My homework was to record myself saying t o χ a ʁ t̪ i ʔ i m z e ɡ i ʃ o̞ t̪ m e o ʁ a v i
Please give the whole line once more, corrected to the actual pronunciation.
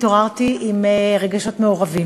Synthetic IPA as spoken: t o ʁ a ʁ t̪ i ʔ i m ʁ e ɡ a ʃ o̞ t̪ m e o ʁ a v i